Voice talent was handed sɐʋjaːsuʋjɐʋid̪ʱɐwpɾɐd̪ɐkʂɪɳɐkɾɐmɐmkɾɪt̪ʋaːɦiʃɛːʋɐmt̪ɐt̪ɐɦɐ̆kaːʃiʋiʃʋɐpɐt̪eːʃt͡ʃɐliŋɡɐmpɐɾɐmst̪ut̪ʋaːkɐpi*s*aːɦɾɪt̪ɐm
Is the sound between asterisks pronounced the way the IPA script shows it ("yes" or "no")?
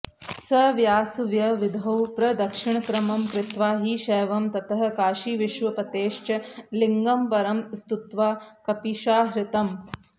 no